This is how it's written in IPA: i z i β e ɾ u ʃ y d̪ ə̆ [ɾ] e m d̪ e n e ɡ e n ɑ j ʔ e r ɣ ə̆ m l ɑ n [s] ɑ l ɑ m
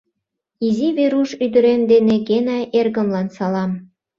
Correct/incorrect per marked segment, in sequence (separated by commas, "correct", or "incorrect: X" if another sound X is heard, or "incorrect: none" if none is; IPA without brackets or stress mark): correct, correct